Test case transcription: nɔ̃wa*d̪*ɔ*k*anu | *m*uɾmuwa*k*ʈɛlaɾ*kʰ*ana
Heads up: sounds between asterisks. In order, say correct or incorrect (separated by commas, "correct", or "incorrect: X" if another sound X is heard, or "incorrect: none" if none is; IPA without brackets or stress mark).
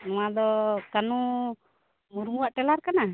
correct, correct, correct, incorrect: ʔ, incorrect: k